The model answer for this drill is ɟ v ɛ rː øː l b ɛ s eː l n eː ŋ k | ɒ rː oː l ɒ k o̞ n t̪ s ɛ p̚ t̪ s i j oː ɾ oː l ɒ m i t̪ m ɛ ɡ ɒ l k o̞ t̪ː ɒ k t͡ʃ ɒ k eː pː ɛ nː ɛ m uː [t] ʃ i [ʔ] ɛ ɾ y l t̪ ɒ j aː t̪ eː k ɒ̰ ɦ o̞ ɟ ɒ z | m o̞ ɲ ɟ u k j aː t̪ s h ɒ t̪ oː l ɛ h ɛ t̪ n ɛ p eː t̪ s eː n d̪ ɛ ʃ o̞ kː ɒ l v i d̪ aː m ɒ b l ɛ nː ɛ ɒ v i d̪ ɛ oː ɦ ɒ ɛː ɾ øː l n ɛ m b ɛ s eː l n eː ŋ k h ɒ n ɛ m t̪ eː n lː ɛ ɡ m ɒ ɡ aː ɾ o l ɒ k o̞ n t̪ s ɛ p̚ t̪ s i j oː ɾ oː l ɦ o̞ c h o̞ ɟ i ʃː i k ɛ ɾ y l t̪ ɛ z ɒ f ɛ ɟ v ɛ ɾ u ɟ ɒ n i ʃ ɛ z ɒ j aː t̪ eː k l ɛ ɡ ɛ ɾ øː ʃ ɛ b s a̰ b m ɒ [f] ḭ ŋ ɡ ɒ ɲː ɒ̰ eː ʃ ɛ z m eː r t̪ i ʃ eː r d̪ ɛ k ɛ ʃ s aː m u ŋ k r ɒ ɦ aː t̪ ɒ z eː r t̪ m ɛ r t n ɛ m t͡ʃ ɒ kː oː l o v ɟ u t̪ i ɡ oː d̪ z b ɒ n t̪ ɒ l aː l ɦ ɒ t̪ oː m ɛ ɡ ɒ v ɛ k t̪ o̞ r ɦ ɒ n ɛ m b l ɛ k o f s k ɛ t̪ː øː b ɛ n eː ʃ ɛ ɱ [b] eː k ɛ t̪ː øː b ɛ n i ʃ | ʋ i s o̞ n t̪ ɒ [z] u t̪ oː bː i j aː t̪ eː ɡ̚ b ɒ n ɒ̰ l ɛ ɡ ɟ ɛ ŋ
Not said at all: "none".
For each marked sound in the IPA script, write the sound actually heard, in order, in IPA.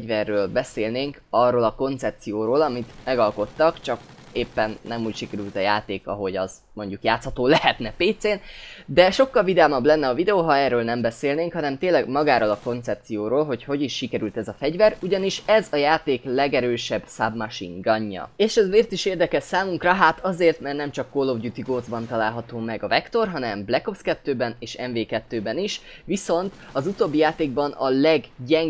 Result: c, k, ʃ, v, z

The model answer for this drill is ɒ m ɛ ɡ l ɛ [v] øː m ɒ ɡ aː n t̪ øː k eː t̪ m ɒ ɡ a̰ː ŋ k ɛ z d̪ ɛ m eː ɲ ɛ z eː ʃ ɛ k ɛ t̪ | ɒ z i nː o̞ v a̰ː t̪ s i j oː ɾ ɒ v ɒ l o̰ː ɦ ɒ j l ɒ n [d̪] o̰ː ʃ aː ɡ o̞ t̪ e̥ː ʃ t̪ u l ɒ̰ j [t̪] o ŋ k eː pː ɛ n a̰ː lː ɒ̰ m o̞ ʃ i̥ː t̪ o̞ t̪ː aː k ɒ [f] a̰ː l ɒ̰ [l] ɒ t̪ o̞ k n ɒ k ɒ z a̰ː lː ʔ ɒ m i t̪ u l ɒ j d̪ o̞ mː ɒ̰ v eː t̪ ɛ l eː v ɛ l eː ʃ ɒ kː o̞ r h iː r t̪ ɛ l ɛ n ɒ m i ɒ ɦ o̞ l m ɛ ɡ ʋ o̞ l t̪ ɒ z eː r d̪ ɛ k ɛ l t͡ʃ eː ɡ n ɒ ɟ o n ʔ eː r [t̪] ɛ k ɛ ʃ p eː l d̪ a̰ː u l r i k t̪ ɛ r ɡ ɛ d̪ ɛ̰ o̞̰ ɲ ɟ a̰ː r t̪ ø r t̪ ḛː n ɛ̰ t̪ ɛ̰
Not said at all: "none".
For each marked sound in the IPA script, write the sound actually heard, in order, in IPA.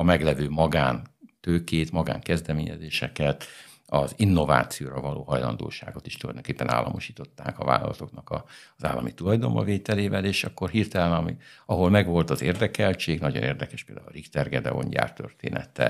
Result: v, d̪, d̪, v, l, d̪

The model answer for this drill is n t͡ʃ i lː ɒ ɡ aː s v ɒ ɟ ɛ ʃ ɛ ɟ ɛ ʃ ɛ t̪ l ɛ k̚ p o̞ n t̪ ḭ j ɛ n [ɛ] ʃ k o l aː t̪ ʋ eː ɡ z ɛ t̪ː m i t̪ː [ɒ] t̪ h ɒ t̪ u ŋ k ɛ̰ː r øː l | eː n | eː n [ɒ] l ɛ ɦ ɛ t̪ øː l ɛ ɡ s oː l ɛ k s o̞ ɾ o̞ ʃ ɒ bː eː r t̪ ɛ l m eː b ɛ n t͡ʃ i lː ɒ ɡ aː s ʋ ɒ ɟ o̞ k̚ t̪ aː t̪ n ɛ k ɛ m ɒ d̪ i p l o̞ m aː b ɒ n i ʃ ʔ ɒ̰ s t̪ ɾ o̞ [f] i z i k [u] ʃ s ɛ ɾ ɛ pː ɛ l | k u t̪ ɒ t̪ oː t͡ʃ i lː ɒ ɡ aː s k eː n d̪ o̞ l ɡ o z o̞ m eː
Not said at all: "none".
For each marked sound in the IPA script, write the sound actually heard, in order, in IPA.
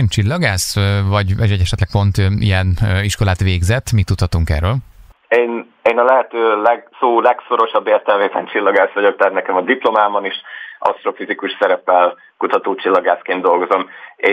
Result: i, u, ɒ, f, u

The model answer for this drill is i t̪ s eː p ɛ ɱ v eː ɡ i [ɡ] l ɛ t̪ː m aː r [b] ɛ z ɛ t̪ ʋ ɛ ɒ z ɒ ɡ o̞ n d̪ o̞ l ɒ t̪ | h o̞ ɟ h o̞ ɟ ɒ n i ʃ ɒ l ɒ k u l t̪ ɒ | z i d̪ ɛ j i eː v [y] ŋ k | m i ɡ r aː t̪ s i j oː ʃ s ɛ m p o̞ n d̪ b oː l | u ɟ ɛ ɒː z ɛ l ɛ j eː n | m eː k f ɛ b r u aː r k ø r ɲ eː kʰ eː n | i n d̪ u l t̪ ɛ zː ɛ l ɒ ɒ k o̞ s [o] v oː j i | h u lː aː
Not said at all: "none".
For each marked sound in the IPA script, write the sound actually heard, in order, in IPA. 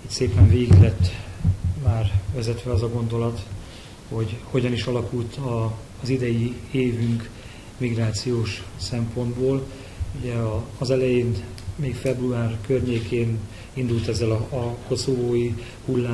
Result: ɡ, v, y, o

